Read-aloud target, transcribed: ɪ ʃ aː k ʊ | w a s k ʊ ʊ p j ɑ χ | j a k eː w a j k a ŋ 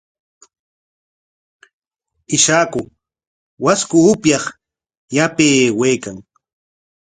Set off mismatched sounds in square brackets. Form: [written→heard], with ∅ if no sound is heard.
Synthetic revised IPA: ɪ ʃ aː k ʊ | w a s k ʊ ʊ p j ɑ χ | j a [k→p] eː w [a→e] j k a ŋ